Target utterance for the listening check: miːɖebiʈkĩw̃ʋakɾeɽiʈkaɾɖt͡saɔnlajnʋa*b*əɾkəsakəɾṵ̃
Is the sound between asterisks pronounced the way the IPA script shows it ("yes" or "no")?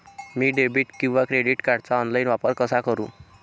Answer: no